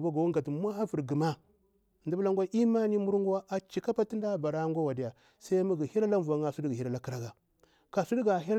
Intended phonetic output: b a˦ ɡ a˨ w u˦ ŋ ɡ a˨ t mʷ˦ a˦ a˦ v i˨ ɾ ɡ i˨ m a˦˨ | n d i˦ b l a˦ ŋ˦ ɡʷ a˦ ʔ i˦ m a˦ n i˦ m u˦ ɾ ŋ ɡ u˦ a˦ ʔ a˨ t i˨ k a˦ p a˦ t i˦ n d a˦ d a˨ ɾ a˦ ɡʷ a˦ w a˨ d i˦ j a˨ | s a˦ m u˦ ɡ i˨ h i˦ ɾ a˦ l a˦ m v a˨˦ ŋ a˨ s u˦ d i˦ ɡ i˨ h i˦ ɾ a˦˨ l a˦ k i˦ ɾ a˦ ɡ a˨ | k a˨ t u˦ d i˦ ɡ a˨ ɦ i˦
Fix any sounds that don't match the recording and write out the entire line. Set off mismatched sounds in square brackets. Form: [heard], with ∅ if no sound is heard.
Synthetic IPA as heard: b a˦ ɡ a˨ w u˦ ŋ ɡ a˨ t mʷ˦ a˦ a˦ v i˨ ɾ ɡ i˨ m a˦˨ | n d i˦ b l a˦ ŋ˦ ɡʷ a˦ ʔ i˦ m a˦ n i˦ m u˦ ɾ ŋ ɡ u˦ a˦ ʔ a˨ [t͡ʃ] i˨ k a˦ p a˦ t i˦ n d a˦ [b] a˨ ɾ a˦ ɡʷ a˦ w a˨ d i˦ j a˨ | s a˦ m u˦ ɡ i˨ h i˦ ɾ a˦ l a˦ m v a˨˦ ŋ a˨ s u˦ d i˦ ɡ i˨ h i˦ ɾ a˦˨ l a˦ k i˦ ɾ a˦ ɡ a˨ | k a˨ [s] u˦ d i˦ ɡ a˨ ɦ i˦